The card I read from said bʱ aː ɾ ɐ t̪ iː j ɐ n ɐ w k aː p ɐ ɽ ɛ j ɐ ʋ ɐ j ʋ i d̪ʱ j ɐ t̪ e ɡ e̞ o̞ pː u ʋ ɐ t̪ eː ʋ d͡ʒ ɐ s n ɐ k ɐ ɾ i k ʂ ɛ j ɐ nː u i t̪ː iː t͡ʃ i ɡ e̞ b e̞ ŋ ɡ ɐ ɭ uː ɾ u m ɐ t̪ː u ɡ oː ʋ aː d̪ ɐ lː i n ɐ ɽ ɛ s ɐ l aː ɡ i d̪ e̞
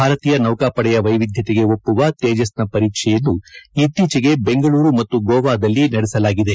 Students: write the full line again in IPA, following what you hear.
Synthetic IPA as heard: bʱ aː ɾ ɐ t̪ iː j ɐ n ɐ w k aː p ɐ ɽ ɛ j ɐ ʋ ɐ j ʋ i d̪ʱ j ɐ t̪ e ɡ e̞ o̞ pː u ʋ ɐ t̪ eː d͡ʒ ɐ s n ɐ p ɐ ɾ iː k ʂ ɛ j ɐ nː u i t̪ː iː t͡ʃ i ɡ e̞ b e̞ ŋ ɡ ɐ ɭ uː ɾ u m ɐ t̪ː u ɡ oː ʋ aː d̪ ɐ lː i n ɐ ɽ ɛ s ɐ l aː ɡ i d̪ e̞